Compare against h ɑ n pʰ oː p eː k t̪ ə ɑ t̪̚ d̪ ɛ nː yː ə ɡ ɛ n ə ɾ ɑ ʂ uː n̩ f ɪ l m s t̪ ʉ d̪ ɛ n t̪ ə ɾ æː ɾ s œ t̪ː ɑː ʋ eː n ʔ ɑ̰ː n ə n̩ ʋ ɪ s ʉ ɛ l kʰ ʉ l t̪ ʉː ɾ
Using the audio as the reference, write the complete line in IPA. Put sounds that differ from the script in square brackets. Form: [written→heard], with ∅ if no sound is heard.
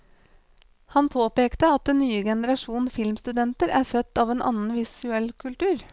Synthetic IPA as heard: h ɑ n pʰ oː p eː k t̪ ə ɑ t̪̚ d̪ ɛ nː yː ə ɡ ɛ n ə ɾ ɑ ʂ uː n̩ f ɪ l m s t̪ ʉ d̪ ɛ n t̪ ə ɾ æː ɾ [s→f] œ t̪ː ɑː ʋ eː n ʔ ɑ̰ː n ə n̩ ʋ ɪ s ʉ ɛ l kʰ ʉ l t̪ ʉː ɾ